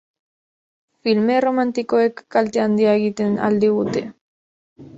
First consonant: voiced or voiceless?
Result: voiceless